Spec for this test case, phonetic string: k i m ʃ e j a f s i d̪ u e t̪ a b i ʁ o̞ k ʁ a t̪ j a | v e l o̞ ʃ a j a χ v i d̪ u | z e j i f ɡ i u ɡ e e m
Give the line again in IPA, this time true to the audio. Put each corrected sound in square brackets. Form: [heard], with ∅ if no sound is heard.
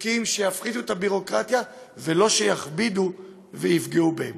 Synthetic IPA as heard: k i m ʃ e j a f [χ] i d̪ u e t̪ a b i ʁ o̞ k ʁ a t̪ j a | v e l o̞ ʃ [e] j a χ [b] i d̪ u | [v] e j i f ɡ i u [b] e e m